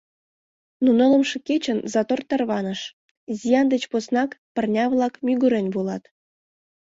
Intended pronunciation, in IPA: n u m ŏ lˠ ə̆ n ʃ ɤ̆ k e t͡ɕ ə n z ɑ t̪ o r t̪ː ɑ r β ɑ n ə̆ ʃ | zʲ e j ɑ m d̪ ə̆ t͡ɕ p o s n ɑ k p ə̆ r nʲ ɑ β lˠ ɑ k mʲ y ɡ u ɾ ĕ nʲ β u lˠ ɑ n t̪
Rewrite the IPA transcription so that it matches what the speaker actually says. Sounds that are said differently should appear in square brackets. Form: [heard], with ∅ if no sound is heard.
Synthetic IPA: n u [n] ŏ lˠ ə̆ [m] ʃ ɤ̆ k e t͡ɕ ə n z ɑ t̪ o r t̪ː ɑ r β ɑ n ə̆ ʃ | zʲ [i] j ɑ [n] d̪ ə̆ t͡ɕ p o s n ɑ k p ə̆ r nʲ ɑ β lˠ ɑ k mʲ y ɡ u ɾ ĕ nʲ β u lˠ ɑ [∅] t̪